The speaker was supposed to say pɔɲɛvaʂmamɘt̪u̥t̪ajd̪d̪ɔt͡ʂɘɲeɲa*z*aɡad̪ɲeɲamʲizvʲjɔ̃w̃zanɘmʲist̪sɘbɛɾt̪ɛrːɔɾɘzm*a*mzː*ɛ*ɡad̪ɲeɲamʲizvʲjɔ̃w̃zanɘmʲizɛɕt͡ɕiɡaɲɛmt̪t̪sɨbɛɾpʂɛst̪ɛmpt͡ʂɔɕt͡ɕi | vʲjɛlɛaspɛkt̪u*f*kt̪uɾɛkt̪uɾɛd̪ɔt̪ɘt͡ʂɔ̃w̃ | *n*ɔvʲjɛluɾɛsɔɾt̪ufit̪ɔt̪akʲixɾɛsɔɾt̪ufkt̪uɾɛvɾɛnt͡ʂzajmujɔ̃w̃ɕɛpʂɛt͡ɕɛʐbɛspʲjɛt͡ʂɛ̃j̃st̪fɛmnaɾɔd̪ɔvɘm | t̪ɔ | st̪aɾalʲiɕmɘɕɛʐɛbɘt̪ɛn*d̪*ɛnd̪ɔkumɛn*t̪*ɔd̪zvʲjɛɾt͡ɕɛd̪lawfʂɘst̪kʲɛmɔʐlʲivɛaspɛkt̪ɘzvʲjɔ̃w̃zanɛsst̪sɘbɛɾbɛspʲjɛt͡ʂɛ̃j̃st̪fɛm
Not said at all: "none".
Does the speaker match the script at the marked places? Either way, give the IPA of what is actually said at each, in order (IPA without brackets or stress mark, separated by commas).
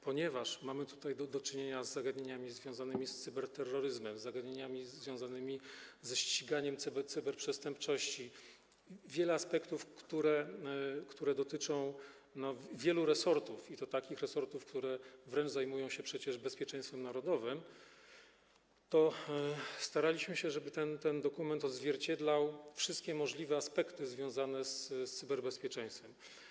zː, ɛ, a, f, n, t̪, t̪